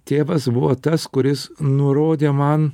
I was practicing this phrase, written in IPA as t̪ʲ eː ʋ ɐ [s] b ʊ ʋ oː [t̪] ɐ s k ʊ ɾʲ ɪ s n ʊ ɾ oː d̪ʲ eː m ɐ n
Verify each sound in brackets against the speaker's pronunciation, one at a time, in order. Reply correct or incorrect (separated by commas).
correct, correct